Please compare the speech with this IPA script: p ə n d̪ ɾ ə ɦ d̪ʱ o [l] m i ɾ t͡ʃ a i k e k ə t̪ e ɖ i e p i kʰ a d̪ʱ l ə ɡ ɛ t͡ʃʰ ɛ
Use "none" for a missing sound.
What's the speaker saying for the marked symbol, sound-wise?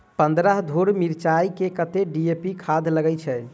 ɾ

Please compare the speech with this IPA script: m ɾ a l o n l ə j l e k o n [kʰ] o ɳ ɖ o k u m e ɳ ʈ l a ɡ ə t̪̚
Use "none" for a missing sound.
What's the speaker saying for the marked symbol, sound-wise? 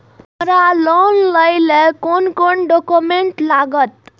k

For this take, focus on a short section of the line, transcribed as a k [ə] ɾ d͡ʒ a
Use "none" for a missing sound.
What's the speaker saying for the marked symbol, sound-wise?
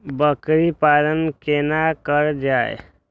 ə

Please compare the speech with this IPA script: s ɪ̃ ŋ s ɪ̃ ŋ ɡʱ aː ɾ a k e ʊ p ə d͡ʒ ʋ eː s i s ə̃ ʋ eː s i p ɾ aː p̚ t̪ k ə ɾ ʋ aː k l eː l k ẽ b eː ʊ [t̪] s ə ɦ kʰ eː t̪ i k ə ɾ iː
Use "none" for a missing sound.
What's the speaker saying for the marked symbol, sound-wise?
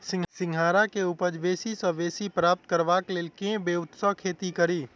t̪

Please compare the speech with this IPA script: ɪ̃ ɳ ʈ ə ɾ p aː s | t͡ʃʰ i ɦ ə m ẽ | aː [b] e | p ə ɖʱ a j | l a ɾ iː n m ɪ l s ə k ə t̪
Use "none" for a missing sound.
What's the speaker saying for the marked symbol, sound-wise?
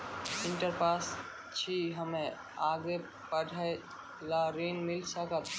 ɡ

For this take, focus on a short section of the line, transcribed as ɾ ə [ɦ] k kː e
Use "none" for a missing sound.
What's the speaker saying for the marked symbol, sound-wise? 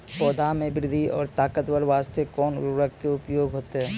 none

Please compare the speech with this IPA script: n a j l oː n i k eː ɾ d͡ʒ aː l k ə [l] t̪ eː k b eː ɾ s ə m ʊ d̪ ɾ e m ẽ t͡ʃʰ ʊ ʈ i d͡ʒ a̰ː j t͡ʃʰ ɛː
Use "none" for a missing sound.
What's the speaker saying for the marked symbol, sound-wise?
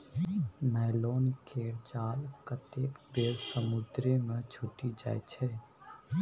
none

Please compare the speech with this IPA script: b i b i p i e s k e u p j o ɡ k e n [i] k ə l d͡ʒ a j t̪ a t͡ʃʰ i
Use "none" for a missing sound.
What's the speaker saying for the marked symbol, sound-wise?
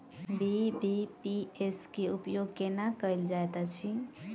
a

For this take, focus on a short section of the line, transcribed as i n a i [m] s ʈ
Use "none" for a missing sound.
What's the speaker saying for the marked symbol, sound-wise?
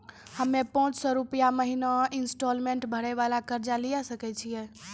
n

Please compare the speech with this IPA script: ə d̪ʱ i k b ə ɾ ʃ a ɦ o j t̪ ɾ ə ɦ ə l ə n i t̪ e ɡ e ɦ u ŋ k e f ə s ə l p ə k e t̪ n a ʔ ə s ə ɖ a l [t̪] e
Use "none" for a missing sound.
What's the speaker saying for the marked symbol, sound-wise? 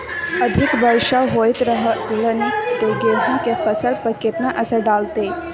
t̪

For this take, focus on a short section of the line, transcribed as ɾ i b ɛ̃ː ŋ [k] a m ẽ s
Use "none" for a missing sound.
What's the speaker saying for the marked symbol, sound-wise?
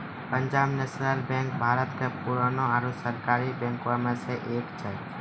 k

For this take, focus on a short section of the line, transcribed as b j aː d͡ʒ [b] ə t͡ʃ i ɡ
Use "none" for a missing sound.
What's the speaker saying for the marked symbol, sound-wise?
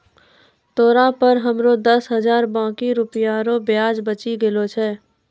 b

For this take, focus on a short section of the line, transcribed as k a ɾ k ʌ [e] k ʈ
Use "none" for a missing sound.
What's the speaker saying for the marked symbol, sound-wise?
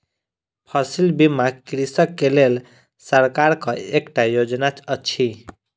e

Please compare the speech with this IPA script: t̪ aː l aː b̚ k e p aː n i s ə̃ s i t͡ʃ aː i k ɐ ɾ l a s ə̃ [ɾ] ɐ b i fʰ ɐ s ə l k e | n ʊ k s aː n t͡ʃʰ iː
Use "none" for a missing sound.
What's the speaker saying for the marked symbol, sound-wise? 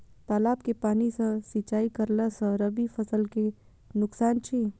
ɾ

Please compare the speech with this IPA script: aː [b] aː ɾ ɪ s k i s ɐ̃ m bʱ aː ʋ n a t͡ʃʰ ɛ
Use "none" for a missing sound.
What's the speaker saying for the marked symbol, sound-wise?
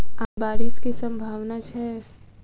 b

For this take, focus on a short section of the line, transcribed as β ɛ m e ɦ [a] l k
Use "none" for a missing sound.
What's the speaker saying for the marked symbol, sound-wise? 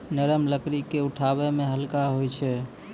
ə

